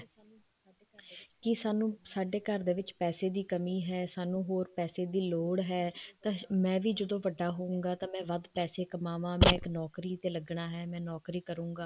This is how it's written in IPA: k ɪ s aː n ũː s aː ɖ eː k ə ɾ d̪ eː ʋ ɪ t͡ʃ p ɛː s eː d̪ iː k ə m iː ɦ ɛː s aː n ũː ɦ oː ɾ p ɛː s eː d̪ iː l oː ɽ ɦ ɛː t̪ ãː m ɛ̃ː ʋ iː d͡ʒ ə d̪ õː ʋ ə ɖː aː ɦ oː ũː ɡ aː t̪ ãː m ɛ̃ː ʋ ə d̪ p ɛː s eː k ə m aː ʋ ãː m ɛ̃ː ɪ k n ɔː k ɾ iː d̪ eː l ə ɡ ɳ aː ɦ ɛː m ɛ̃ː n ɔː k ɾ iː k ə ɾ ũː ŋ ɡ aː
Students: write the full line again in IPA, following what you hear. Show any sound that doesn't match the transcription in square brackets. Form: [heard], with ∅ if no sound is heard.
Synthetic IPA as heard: k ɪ s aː n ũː s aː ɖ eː k ə ɾ d̪ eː ʋ ɪ t͡ʃ p ɛː s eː d̪ iː k ə m iː ɦ ɛː s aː n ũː ɦ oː ɾ p ɛː s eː d̪ iː l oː ɽ ɦ ɛː t̪ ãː m ɛ̃ː ʋ iː d͡ʒ ə d̪ õː ʋ ə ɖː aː ɦ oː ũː ɡ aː t̪ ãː m ɛ̃ː ʋ ə d̪ p ɛː s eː k ə m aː ʋ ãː m ɛ̃ː ɪ k n ɔː k ɾ iː [t̪] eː l ə ɡ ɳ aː ɦ ɛː m ɛ̃ː n ɔː k ɾ iː k ə ɾ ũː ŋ ɡ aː